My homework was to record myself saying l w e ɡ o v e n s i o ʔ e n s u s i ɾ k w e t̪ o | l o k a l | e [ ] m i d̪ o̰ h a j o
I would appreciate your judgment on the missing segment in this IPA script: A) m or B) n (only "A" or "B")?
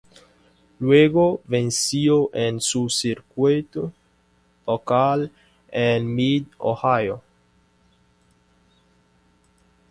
B